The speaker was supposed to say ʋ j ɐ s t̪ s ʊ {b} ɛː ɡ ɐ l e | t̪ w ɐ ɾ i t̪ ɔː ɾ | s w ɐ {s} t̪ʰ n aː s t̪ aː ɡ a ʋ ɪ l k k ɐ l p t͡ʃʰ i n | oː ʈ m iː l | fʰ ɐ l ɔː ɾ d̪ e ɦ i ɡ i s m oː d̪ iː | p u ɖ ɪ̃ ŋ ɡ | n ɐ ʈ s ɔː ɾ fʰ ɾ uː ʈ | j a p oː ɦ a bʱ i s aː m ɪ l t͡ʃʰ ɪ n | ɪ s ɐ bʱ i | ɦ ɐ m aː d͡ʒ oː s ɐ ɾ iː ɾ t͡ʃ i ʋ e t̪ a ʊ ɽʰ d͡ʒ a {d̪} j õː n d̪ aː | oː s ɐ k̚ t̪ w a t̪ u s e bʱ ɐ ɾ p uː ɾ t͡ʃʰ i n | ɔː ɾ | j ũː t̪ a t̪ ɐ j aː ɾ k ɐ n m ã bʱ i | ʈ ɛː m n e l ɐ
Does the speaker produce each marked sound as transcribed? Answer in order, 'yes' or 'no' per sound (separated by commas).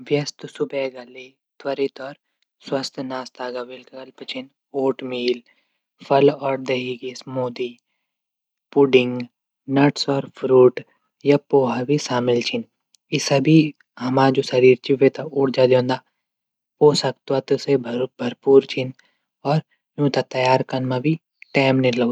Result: yes, yes, yes